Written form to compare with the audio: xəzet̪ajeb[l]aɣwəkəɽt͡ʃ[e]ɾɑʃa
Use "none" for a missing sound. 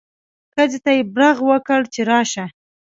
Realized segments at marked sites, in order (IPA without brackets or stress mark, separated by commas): ɾ, e